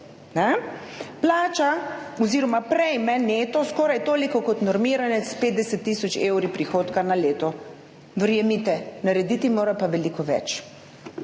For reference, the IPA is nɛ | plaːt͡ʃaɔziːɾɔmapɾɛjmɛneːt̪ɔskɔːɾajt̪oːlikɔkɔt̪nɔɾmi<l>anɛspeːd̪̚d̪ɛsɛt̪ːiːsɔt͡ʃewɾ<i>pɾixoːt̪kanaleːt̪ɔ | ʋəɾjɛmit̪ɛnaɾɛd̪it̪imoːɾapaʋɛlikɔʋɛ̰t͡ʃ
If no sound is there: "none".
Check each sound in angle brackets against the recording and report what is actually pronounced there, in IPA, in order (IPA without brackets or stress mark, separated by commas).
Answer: ɾ, i